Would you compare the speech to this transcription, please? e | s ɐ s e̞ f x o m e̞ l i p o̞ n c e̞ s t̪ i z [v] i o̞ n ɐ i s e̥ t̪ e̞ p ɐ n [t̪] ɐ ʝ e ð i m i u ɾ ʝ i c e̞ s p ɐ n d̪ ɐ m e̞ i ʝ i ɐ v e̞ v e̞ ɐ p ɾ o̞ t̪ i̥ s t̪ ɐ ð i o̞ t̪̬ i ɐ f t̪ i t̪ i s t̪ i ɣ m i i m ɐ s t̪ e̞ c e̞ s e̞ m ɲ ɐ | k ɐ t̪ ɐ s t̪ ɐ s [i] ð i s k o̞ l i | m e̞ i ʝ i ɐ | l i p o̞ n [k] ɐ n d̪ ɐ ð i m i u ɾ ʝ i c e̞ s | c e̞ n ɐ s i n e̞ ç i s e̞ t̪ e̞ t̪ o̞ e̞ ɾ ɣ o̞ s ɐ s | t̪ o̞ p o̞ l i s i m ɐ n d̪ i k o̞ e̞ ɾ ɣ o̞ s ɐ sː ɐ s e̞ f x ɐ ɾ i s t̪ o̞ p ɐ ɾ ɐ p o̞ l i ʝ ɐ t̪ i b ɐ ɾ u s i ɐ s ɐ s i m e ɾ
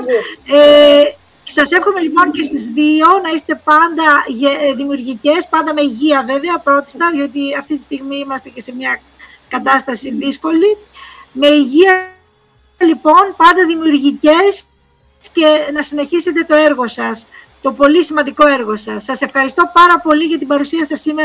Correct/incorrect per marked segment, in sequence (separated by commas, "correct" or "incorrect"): incorrect, incorrect, correct, incorrect